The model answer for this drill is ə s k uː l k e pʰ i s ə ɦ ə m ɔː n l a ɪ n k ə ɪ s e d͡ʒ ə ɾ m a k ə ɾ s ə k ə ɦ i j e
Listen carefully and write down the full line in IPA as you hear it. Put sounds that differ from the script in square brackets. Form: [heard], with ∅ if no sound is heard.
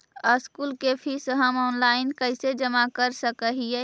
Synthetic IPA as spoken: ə s k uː l k e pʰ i s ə ɦ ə m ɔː n l a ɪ n k ə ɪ s e d͡ʒ ə [∅] m a k ə ɾ s ə k ə ɦ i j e